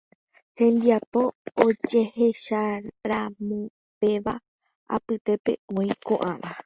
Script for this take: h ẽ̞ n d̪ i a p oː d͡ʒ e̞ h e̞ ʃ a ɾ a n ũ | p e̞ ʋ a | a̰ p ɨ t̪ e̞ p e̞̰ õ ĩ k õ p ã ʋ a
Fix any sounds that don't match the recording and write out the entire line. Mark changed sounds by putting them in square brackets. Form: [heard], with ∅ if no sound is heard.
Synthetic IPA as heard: h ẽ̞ n d̪ i a p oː d͡ʒ e̞ h e̞ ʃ a ɾ a [m] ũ | p e̞ ʋ a | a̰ p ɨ t̪ e̞ p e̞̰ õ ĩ k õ [ʔ] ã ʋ a